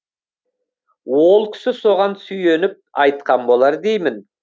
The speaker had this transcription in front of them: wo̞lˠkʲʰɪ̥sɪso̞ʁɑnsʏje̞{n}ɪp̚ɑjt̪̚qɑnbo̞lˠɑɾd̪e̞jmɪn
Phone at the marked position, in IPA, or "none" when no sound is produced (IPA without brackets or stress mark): n